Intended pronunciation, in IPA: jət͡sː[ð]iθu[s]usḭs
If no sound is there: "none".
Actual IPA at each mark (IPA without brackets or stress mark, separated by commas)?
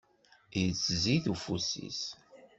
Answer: z, f